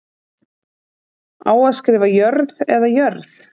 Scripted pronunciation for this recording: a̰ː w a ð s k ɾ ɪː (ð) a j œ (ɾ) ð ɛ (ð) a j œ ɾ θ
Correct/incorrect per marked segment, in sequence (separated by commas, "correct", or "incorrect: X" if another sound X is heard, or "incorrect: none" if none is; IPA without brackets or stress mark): incorrect: v, correct, correct